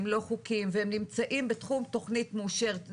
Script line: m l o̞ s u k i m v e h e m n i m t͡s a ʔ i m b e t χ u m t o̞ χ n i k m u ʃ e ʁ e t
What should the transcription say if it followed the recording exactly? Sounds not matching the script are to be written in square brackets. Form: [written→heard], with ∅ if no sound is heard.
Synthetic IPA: m l o̞ [s→χ] u k i m v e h e m n i m t͡s a ʔ i m b e t χ u m t o̞ χ n i [k→t] m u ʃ e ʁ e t